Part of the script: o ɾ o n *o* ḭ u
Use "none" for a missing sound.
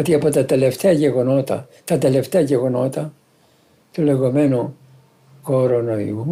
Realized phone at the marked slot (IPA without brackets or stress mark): o